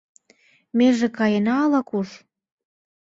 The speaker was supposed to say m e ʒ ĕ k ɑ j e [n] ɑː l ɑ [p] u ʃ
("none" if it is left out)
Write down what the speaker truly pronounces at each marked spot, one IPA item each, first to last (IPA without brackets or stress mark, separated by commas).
n, k